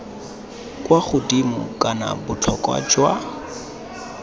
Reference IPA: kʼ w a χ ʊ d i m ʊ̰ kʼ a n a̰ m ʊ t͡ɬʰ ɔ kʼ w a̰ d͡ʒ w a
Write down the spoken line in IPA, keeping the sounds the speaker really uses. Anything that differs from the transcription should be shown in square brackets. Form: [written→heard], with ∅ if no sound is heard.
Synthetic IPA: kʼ w a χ ʊ d i m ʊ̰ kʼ a n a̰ [m→b] ʊ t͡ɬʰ ɔ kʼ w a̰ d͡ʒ w a